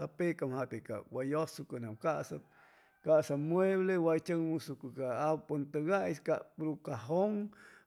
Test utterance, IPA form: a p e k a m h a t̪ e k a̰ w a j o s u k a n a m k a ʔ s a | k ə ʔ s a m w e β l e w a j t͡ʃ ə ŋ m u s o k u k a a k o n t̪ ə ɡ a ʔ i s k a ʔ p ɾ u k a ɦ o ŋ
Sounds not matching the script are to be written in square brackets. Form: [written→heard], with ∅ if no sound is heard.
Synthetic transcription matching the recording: a p e k a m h a t̪ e k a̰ w a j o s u k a n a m k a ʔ s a | k [ə→a] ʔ s a m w e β l e w a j t͡ʃ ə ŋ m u s [o→u] k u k a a [k→p] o n t̪ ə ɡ a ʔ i s k a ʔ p ɾ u k a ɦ o ŋ

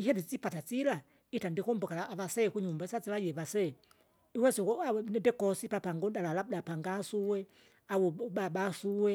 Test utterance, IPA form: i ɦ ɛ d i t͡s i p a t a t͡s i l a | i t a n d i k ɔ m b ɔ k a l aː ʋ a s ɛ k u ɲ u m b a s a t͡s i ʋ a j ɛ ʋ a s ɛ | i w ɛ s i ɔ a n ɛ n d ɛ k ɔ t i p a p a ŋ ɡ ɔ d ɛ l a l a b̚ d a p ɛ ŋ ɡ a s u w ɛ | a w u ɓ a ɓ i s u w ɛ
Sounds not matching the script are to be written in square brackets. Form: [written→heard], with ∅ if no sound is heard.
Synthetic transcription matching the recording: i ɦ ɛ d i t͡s i p a t a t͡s i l a | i t a n d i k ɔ m b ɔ k a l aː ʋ a s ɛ k u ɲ u m b a s a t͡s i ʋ a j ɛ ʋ a s ɛ | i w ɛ s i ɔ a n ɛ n d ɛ k ɔ [t→s] i p a p a ŋ ɡ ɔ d [ɛ→a] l a l a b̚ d a p [ɛ→a] ŋ ɡ a s u w ɛ | a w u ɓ a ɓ [i→a] s u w ɛ

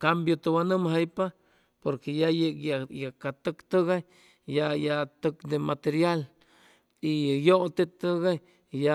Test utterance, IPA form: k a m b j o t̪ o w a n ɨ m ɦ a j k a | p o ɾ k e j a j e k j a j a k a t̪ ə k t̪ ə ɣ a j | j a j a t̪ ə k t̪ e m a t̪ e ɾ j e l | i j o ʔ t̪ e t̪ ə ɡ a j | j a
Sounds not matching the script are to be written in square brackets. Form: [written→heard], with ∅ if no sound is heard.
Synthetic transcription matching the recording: k a m b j o t̪ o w a n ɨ m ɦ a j [k→p] a | p o ɾ k e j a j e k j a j a k a t̪ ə k t̪ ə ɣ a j | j a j a t̪ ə k [t̪→d̪] e m a t̪ e ɾ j [e→a] l | i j o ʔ t̪ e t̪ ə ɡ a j | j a

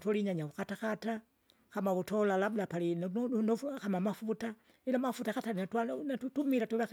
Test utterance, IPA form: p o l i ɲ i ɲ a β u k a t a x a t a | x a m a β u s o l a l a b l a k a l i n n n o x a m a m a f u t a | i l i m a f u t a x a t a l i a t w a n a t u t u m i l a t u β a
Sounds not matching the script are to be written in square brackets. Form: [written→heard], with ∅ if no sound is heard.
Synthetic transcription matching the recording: [p→t] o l i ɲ [i→a] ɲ a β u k a t a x a t a | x a m a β u [s→t] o l a l a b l a [k→p] a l i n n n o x a m a m a f u t a | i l [i→a] m a f u t a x a t a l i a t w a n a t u t u m i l a t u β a

